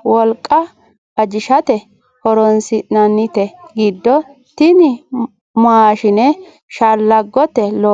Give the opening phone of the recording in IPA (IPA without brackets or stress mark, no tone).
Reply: w